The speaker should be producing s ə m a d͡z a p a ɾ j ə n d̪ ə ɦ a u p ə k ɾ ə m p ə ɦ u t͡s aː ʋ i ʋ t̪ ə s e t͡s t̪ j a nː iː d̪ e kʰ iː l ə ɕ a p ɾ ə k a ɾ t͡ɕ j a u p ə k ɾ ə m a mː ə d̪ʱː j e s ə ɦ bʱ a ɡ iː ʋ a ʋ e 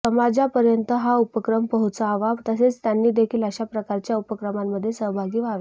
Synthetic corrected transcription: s ə m a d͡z a p ə ɾ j ə n t̪ ə ɦ a u p ə k ɾ ə m p ə ɦ u t͡s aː ʋ a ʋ t̪ ə s e t͡s t̪ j a nː iː d̪ e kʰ iː l ə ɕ a p ɾ ə k a ɾ t͡ɕ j a u p ə k ɾ ə m a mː ə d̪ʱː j e s ə ɦ bʱ a ɡ iː ʋ a ʋ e